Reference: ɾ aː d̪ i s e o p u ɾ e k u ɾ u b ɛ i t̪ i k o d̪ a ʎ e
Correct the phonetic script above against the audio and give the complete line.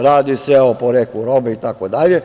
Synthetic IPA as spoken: ɾ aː d̪ i s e o p o ɾ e k u ɾ o b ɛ i t̪ a k o d̪ a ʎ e